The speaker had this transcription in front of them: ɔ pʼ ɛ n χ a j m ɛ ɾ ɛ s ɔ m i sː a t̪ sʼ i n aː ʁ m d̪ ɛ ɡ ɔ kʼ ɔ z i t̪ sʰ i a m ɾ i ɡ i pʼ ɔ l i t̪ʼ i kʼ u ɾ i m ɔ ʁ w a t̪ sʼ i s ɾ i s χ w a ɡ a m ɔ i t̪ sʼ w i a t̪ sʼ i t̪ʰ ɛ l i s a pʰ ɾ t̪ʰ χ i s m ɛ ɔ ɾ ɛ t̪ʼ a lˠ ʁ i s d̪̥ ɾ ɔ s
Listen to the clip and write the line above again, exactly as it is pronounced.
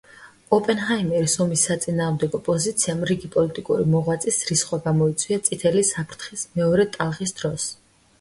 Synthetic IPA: ɔ pʼ ɛ n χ a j m ɛ ɾ i s ɔ m i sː a t̪ sʼ i n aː ʁ m d̪ ɛ ɡ ɔ pʼ ɔ z i t̪ sʰ i a m ɾ i ɡ i pʼ ɔ l i t̪ʼ i kʼ u ɾ i m ɔ ʁ w a t̪ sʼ i s ɾ i s χ w a ɡ a m ɔ i t̪ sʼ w i a t̪ sʼ i t̪ʰ ɛ l i s a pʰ ɾ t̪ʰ χ i s m ɛ ɔ ɾ ɛ t̪ʼ a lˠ ʁ i s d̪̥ ɾ ɔ s